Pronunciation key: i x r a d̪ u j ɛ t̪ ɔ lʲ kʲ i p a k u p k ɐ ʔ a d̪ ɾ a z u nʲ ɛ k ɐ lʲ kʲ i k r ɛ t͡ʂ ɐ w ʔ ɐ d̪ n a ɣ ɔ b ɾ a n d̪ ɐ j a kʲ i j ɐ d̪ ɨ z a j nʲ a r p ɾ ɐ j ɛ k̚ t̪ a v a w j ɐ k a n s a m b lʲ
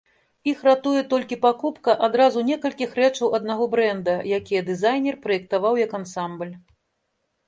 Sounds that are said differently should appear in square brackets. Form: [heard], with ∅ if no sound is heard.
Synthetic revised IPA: i x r a [t̪] u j ɛ t̪ ɔ lʲ kʲ i p a k u p k ɐ ʔ a d̪ ɾ a z u nʲ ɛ k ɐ lʲ kʲ i [x] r ɛ t͡ʂ ɐ w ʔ ɐ d̪ n a ɣ ɔ b ɾ [ɛ] n d̪ ɐ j a kʲ i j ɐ d̪ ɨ z a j nʲ [ɛ] r p ɾ ɐ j ɛ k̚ t̪ a v a w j ɐ k a n s a m b lʲ